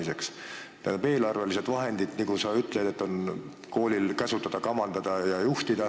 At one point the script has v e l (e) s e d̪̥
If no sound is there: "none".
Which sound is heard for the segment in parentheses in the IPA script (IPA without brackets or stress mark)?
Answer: i